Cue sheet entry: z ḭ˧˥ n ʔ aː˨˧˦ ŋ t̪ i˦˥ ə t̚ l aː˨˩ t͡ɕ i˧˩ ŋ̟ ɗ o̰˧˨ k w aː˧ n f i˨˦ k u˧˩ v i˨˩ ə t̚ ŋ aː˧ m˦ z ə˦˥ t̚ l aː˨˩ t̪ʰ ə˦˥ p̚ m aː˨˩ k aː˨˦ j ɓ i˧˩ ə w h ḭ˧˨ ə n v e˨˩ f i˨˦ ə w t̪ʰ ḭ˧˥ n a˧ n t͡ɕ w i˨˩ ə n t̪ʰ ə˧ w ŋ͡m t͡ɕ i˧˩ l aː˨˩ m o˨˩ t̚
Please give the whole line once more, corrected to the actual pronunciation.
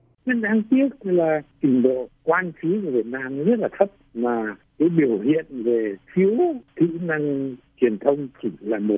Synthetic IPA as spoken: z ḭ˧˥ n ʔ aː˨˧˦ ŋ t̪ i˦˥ ə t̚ l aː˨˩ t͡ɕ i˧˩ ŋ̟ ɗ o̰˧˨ k w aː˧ n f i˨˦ k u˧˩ v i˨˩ ə t̚ n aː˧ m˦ z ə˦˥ t̚ l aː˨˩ t̪ʰ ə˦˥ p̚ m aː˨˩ k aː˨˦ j ɓ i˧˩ ə w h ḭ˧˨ ə n v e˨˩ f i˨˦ ə w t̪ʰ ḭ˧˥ n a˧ ŋ t͡ɕ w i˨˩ ə n t̪ʰ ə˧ w ŋ͡m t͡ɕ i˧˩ l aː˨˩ m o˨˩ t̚